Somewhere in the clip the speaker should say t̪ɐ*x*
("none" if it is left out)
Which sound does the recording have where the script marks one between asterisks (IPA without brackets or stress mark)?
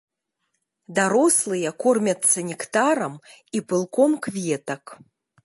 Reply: k